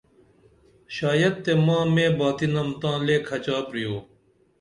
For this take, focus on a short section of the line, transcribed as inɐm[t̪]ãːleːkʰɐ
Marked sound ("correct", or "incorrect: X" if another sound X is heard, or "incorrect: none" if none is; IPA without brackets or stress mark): correct